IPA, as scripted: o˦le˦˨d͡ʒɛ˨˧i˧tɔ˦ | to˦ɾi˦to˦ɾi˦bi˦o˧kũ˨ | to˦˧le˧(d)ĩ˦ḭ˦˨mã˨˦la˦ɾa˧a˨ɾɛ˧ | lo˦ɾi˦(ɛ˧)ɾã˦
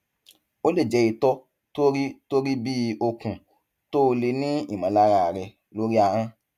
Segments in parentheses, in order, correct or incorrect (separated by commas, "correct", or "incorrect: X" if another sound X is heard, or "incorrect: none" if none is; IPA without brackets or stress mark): incorrect: n, incorrect: a˧